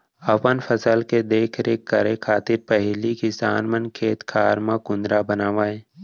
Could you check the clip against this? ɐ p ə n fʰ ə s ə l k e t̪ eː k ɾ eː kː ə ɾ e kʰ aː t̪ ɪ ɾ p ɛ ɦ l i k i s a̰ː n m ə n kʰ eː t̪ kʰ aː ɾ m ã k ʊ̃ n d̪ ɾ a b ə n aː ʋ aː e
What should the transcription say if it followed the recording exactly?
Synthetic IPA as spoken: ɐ p ə n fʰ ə s ə l k e d̪ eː kʰ ɾ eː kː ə ɾ e kʰ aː t̪ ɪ ɾ p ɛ ɦ l i k i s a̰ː n m ə n kʰ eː t̪ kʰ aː ɾ m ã k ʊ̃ n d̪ ɾ a b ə n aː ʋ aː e